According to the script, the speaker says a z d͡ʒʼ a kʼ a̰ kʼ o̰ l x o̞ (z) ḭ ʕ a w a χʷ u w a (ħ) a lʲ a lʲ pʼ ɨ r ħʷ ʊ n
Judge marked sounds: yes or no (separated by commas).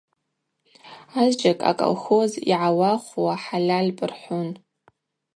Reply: yes, yes